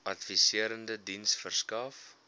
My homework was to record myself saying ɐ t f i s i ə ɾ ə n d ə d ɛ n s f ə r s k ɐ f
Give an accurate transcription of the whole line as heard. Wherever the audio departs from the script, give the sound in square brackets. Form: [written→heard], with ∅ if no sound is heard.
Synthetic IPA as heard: ɐ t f i s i ə ɾ ə n d ə d [ɛ→i] n s f ə r s k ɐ f